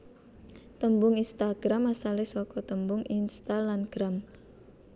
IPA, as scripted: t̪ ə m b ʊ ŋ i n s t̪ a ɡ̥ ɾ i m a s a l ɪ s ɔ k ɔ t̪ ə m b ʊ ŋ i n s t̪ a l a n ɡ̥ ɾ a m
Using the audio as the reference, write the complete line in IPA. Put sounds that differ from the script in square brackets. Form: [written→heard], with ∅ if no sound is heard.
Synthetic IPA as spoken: t̪ ə m b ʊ ŋ i n s t̪ a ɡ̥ ɾ [i→a] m a s a l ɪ s ɔ k ɔ t̪ ə m b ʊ ŋ i n s t̪ a l a n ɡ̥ ɾ a m

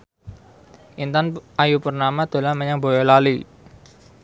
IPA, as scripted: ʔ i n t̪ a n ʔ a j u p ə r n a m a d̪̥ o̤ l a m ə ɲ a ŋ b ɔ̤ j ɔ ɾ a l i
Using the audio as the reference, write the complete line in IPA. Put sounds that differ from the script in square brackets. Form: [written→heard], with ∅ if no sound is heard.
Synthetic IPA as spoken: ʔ i n t̪ a n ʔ a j u p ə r n a m a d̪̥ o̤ l a m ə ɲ a ŋ b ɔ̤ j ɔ [ɾ→l] a l i

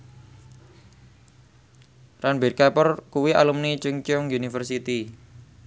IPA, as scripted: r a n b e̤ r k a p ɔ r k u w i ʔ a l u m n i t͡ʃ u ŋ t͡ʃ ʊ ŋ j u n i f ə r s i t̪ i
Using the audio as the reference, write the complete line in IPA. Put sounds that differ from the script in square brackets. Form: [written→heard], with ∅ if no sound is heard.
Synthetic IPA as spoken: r a n b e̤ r k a p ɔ r k u w i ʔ a l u m n i t͡ʃ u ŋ t͡ʃ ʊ ŋ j u n i f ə r s i t̪ i

